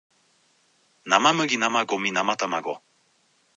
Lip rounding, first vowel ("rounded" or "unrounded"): unrounded